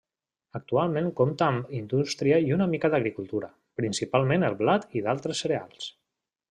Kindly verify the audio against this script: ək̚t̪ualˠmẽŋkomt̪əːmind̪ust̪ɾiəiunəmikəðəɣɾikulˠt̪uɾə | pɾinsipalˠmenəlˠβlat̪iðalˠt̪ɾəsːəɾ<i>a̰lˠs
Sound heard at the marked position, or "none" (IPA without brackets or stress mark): e